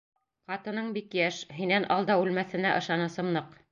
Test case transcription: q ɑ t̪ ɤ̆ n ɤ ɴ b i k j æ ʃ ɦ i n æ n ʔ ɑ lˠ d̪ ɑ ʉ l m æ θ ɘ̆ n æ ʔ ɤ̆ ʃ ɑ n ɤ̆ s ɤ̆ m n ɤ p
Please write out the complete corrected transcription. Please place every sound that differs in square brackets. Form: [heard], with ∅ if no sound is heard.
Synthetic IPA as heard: q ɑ t̪ ɤ̆ n ɤ ɴ b i k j æ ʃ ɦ i n æ n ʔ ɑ lˠ d̪ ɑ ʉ l m æ θ ɘ̆ n æ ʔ ɤ̆ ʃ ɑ n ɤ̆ s ɤ̆ m n ɤ [q]